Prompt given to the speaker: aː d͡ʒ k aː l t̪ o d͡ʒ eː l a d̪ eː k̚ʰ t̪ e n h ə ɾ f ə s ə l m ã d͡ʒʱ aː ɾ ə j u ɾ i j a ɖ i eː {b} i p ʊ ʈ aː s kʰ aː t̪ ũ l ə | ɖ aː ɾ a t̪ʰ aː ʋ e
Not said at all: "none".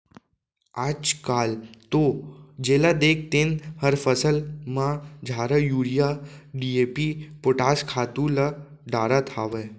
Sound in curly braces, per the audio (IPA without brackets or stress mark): p